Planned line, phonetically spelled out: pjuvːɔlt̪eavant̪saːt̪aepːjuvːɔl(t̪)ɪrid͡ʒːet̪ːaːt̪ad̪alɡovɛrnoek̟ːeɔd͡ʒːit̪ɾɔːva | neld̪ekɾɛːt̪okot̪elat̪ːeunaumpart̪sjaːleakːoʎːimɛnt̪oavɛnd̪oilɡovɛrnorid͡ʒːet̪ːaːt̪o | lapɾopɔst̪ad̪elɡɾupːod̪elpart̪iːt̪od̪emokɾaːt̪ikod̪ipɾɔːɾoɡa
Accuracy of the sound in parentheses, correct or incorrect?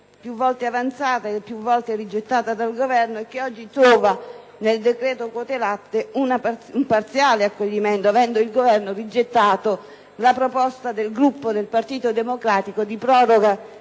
correct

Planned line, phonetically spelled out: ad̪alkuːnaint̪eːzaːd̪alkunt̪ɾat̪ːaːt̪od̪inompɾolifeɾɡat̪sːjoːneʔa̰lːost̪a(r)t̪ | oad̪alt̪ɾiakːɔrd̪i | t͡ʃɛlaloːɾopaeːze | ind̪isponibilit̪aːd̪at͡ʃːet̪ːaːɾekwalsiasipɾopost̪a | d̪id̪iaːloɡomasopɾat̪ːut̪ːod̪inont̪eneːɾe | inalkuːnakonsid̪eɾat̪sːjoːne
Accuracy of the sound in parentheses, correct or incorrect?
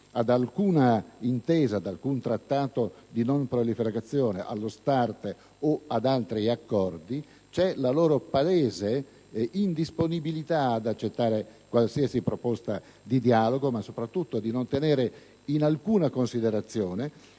correct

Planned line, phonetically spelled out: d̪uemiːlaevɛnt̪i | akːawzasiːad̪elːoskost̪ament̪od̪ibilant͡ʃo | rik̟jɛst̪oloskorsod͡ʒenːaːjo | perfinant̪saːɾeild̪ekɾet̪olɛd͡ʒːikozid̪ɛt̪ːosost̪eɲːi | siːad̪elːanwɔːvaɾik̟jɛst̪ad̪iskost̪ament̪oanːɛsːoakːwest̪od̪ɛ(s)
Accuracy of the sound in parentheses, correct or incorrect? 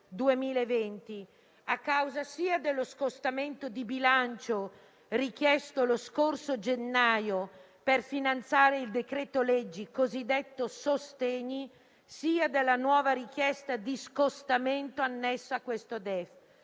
incorrect: f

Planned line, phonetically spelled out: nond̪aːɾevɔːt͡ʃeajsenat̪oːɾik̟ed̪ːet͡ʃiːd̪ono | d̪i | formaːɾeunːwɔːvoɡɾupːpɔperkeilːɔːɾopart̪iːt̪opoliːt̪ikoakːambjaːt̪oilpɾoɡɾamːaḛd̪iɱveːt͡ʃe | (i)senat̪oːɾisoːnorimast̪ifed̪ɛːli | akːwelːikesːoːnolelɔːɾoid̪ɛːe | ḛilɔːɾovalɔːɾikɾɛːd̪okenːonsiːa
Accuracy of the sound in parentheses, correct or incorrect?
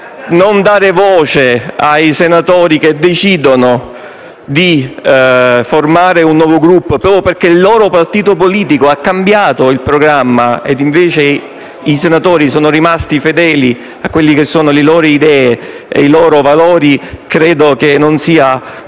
correct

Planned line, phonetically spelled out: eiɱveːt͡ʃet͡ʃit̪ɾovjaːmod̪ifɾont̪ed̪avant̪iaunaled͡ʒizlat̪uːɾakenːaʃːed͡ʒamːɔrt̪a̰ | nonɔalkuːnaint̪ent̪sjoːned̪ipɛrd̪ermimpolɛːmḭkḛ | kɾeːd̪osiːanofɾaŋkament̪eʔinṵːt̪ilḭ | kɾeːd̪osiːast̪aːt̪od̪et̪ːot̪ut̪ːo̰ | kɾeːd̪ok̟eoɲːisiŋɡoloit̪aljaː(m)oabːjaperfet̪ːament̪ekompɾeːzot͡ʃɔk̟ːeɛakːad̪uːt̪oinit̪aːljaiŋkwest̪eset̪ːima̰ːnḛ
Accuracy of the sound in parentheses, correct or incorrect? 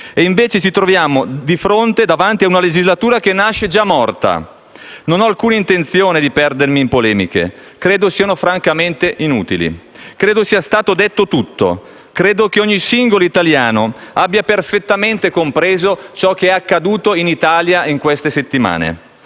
incorrect: n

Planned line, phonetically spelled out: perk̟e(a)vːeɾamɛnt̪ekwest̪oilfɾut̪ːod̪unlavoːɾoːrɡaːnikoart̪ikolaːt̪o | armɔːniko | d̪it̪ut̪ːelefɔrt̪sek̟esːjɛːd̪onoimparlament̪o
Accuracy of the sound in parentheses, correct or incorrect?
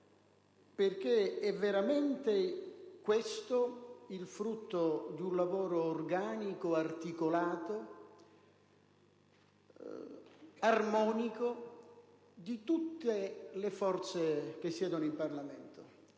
incorrect: ɛ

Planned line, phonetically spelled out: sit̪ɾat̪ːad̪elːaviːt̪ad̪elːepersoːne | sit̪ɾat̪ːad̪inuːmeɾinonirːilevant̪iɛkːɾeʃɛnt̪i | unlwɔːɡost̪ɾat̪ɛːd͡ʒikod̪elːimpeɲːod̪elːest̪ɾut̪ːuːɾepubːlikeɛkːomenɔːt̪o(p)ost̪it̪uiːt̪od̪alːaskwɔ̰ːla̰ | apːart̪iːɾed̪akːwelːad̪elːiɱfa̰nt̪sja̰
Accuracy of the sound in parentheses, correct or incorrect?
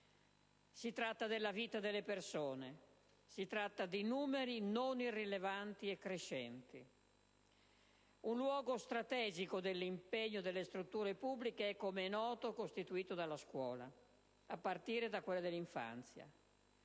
incorrect: k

